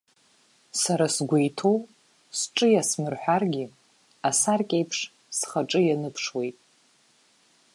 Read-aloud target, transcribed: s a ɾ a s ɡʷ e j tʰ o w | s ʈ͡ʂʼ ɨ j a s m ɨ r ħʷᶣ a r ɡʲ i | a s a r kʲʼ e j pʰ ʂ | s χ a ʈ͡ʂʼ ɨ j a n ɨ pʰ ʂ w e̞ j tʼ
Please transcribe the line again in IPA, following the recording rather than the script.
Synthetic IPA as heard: s a ɾ a s ɡʷ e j tʰ o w | s ʈ͡ʂʼ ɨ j a s m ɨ r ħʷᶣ a r ɡʲ i | a s a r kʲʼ e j pʰ ʂ | s χ a ʈ͡ʂʼ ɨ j a n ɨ pʰ ʂ w e̞ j tʼ